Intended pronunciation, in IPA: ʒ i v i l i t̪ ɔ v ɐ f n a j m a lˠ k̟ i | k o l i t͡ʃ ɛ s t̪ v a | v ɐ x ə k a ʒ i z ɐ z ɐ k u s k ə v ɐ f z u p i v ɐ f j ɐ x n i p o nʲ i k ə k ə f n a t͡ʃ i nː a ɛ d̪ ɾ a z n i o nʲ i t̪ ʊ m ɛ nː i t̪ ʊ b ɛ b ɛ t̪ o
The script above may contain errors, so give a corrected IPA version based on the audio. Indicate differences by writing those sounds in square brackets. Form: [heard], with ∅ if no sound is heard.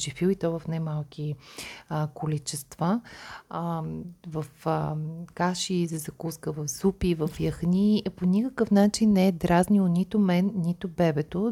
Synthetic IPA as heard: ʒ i [f] i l i t̪ ɔ v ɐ f n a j m a lˠ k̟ i | k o l i t͡ʃ ɛ s t̪ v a | v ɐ [f] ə k a [ʃ] i z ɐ z ɐ k u s k ə v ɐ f z u p i v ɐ f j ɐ x n i p o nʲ i k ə k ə f n a t͡ʃ i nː [ɛ] ɛ d̪ ɾ a z n i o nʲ i t̪ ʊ m ɛ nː i t̪ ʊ b ɛ b ɛ t̪ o